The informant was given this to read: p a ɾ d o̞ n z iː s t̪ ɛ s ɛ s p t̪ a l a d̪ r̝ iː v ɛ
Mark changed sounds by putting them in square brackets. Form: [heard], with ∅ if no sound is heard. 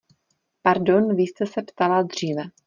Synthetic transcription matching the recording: p a ɾ d o̞ n [v] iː s t̪ ɛ s ɛ [∅] p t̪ a l a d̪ r̝ iː v ɛ

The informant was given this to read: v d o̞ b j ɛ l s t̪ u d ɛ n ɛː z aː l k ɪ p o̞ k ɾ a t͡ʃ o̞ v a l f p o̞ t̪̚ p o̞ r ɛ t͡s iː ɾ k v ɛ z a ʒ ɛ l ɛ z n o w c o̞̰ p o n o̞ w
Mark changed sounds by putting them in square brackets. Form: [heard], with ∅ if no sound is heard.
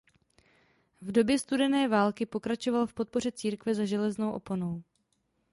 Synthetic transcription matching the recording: v d o̞ b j ɛ [∅] s t̪ u d ɛ n ɛː [v] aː l k ɪ p o̞ k ɾ a t͡ʃ o̞ v a l f p o̞ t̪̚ p o̞ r ɛ t͡s iː ɾ k v ɛ z a ʒ ɛ l ɛ z n o w [ʔ] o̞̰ p o n o̞ w

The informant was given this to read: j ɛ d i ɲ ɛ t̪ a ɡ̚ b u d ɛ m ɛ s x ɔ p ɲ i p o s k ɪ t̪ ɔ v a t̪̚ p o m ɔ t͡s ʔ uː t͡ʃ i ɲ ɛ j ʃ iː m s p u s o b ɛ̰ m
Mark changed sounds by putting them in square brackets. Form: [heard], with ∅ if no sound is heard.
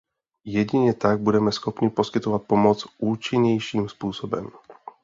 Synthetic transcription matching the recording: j ɛ [ɟ] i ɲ ɛ t̪ a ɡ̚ b u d ɛ m ɛ s x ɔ p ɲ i p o s k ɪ t̪ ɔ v a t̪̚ p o m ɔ t͡s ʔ uː t͡ʃ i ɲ ɛ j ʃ iː m s p [uː] s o b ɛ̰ m

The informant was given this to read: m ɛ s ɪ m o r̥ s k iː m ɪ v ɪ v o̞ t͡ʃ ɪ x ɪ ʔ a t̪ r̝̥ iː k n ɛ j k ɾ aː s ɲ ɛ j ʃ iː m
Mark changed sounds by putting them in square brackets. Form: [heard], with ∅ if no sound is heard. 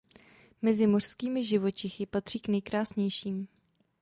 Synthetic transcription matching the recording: m ɛ [z] ɪ m o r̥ s k iː m ɪ [ʒ] ɪ v o̞ t͡ʃ ɪ x ɪ [p] a t̪ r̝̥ iː k n ɛ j k ɾ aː s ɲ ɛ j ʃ iː m

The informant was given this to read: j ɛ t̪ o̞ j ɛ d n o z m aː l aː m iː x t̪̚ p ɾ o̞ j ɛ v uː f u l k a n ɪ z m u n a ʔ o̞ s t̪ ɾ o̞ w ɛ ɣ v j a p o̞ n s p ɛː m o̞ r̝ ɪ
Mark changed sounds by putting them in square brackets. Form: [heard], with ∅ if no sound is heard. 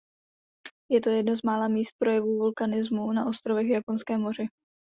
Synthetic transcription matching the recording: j ɛ t̪ o̞ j ɛ d n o z m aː l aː m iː [s] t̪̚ p ɾ o̞ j ɛ v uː [v] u l k a n ɪ z m u n a ʔ o̞ s t̪ ɾ o̞ [v] ɛ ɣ v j a p o̞ n s [k] ɛː m o̞ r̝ ɪ

